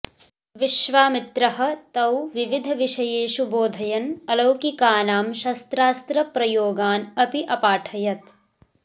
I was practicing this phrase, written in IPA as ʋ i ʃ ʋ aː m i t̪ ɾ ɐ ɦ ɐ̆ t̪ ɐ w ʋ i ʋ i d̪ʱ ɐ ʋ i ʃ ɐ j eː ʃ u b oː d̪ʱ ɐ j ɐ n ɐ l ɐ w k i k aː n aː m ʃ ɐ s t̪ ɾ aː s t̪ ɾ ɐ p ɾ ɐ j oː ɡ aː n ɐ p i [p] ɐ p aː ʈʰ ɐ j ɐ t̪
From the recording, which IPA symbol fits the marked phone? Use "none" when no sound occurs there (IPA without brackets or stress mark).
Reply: ʔ